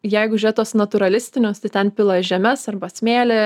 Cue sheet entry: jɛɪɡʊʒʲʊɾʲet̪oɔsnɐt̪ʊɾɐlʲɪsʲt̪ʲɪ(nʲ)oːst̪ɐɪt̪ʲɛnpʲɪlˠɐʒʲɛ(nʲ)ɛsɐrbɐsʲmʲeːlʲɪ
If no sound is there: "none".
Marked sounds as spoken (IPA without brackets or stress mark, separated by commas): nʲ, mʲ